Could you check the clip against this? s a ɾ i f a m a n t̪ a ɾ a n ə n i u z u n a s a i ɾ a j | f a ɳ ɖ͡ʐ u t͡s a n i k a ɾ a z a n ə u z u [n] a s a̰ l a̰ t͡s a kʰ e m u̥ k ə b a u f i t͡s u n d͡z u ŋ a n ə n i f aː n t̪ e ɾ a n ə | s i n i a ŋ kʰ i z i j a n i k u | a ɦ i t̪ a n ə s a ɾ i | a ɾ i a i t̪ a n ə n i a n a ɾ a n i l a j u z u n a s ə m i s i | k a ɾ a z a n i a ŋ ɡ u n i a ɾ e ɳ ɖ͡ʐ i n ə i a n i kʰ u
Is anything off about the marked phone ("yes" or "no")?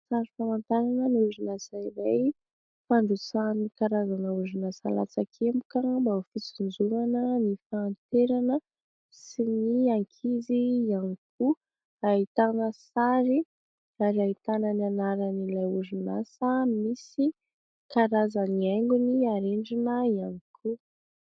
no